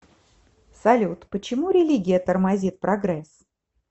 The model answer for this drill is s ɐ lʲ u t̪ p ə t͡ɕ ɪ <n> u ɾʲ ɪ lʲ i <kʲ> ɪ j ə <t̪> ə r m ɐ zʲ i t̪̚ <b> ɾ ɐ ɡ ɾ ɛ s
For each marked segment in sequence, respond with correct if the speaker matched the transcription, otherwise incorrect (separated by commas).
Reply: incorrect, incorrect, correct, incorrect